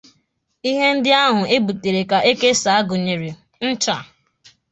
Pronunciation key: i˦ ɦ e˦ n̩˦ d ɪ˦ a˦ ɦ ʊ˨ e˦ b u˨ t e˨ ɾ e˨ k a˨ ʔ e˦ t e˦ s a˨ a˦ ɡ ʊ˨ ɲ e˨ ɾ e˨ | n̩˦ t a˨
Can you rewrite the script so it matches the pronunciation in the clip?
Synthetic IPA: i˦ ɦ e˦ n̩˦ d ɪ˦ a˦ ɦ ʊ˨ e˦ b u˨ t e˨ ɾ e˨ k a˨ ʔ e˦ k e˦ s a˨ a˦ ɡ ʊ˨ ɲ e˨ ɾ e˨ | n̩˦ t͡ʃ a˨